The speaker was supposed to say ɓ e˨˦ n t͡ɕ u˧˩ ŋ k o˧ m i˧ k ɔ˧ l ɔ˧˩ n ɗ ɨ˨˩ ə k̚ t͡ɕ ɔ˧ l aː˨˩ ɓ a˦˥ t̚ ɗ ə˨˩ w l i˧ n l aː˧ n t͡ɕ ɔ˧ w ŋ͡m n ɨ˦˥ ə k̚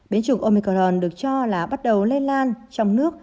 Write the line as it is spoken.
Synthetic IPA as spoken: ɓ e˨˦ n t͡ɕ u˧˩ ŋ ʔ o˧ m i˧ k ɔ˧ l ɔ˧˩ n ɗ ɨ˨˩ ə k̚ t͡ɕ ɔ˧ l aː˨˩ ɓ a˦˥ t̚ ɗ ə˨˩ w l e˧ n l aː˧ n t͡ɕ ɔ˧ w ŋ͡m n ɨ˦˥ ə k̚